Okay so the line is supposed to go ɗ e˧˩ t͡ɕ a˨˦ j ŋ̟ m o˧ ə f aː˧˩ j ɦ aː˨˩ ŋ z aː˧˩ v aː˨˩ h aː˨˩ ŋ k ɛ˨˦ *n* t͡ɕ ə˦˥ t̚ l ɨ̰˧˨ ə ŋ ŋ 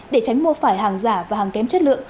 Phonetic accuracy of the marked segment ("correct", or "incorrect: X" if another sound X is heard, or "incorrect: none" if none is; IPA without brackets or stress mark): incorrect: m